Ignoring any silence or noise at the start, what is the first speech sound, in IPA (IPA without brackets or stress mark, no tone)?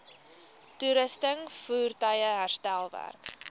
t